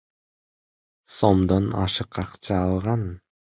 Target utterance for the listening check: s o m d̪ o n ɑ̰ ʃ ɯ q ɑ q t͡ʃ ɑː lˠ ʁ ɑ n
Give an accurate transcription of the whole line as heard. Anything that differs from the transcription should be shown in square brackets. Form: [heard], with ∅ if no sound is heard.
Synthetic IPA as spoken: s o m d̪ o n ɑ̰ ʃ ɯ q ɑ q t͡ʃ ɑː lˠ ʁ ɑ n